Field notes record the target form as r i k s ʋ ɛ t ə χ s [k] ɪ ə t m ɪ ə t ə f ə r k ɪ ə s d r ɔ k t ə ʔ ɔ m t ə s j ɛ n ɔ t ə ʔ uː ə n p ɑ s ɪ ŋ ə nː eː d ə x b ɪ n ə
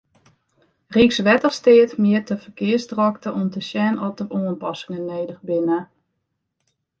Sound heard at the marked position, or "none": t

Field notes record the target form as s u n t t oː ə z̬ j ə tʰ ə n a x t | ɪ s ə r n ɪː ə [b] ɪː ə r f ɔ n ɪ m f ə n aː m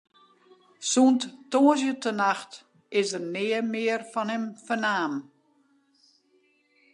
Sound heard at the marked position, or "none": m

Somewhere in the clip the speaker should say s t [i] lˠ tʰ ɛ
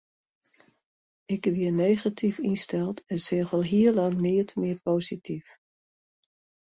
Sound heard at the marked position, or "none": ɛ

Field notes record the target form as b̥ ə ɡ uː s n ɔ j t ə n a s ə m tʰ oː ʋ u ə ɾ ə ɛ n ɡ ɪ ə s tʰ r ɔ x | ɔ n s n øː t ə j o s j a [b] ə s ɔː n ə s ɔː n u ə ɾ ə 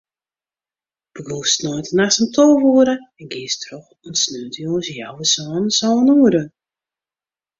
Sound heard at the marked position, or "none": w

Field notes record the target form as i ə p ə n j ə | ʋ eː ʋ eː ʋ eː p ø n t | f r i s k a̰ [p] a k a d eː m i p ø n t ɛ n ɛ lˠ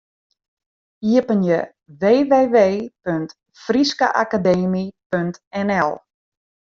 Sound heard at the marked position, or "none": ʔ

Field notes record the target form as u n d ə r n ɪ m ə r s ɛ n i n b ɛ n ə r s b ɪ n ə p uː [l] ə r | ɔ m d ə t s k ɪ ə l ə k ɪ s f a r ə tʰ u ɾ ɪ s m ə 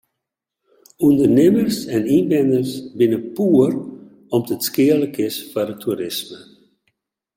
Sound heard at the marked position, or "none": none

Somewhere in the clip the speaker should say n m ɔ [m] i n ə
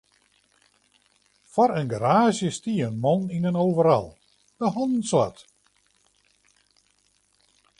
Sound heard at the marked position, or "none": n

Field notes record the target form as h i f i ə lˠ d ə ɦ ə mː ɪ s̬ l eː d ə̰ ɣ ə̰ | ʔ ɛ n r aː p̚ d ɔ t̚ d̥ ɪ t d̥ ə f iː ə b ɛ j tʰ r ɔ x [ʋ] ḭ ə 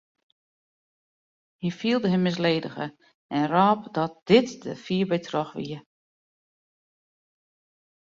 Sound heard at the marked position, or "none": ʋ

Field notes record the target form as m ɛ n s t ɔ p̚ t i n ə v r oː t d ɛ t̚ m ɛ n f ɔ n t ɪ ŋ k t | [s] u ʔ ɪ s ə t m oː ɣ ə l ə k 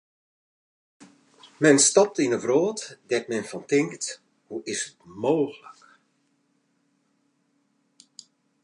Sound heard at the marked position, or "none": h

